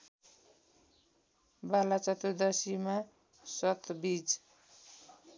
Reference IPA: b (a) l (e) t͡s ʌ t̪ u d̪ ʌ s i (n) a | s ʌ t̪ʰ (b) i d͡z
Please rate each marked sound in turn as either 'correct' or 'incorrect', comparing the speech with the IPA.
correct, incorrect, incorrect, correct

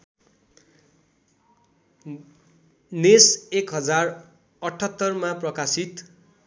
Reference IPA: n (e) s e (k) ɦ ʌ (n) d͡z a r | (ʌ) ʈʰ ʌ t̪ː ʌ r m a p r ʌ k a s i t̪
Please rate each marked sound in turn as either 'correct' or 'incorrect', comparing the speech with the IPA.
correct, correct, incorrect, correct

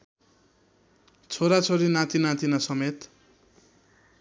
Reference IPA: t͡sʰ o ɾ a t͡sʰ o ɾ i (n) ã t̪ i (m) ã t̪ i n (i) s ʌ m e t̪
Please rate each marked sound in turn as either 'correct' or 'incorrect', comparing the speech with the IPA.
correct, incorrect, incorrect

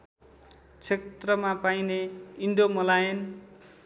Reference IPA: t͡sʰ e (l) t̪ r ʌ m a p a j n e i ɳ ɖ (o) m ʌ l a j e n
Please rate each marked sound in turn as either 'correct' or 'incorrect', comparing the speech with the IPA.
incorrect, correct

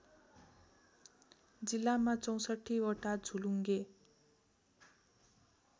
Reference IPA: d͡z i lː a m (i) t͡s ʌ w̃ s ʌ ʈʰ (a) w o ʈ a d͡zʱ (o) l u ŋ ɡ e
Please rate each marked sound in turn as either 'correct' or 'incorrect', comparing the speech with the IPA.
incorrect, incorrect, incorrect

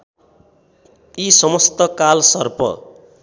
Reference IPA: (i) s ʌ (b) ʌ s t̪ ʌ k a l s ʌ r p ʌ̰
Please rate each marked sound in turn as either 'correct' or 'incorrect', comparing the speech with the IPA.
correct, incorrect

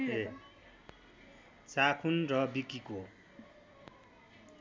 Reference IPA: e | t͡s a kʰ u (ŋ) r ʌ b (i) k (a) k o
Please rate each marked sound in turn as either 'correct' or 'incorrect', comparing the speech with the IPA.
incorrect, correct, incorrect

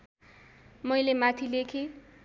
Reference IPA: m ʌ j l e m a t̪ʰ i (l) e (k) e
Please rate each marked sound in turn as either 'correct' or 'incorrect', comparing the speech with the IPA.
correct, incorrect

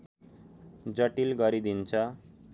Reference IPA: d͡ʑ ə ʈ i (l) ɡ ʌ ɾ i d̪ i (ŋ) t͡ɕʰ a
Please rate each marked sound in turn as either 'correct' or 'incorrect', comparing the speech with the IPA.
correct, incorrect

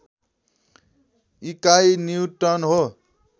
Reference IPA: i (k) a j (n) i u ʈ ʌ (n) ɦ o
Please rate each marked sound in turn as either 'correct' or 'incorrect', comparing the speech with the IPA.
correct, correct, correct

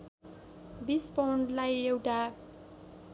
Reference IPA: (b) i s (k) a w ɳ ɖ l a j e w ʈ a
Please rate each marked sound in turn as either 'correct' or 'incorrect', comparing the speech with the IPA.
correct, incorrect

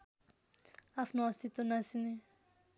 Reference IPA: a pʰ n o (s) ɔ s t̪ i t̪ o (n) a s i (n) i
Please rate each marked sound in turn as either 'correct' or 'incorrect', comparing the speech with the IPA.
incorrect, correct, correct

